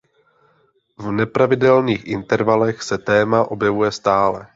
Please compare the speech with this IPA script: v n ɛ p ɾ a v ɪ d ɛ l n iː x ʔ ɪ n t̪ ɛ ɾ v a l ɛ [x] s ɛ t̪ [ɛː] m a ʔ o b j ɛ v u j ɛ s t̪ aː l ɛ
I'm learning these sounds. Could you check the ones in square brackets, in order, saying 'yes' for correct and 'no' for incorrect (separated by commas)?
yes, yes